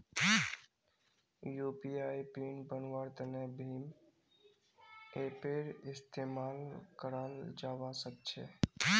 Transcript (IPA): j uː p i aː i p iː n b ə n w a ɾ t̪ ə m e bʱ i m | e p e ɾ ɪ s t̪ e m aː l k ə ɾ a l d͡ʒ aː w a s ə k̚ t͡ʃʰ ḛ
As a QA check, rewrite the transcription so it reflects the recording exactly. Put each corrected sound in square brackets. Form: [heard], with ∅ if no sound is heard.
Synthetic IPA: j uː p i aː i p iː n b ə n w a ɾ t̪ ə [n] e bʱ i m | e p e ɾ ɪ s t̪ e m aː l k ə ɾ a l d͡ʒ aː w a s ə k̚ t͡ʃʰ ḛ